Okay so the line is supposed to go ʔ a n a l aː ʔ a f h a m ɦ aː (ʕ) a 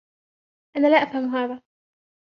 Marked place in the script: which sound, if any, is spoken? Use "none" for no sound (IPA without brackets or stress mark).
ð